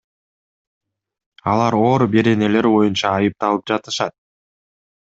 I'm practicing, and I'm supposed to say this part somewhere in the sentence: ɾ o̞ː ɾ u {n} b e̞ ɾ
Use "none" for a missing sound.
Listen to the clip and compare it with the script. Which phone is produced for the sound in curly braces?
none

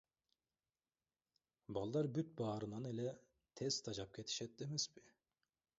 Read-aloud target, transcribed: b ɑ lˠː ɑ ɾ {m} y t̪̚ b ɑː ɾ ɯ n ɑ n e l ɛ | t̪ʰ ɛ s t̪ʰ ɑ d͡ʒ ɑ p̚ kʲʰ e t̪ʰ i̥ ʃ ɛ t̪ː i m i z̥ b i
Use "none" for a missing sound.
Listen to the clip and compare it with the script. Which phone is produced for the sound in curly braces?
b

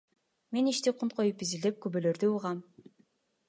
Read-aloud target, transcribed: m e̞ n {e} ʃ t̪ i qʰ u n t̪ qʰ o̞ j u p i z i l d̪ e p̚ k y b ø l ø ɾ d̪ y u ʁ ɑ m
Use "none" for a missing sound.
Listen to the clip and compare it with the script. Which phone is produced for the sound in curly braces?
i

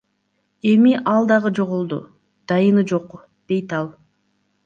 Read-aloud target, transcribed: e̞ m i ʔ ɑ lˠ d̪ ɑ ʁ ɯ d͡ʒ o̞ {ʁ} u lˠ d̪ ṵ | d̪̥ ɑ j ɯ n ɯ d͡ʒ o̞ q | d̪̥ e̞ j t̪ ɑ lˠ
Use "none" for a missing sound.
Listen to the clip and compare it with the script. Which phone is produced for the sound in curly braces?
ʁ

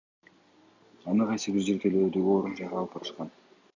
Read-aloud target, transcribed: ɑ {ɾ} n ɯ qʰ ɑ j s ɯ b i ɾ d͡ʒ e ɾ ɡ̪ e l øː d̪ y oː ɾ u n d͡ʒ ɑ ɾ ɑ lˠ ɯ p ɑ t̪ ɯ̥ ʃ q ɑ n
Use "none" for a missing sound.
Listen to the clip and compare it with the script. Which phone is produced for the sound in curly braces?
none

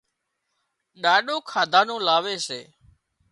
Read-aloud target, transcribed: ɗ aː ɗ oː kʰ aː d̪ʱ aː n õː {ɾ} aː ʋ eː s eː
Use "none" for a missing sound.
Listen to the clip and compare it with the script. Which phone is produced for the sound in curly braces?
l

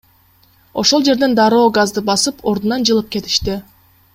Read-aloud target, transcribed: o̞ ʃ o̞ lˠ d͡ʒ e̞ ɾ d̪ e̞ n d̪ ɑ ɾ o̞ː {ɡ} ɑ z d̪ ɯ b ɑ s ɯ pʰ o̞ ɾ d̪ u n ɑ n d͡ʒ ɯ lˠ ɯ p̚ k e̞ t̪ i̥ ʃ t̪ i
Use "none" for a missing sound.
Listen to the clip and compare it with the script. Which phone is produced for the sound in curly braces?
ɡ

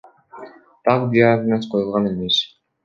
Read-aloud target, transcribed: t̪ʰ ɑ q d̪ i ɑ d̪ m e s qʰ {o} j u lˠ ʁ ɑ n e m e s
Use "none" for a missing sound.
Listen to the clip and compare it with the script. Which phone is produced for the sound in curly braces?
o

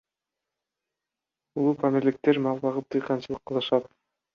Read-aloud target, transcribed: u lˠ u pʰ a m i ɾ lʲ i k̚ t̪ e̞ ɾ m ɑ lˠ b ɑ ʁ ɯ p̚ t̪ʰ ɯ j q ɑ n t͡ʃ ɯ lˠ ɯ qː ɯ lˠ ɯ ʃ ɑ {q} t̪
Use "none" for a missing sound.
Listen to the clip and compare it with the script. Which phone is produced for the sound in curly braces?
none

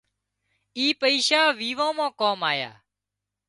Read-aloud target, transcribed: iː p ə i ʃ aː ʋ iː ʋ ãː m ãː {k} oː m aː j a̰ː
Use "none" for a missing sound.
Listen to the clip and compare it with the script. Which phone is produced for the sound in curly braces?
k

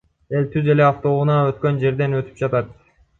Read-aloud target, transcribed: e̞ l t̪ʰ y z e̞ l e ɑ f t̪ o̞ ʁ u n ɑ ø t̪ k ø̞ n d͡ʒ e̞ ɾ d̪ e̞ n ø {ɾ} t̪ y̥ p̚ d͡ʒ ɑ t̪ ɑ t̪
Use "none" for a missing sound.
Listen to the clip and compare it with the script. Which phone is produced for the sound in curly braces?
none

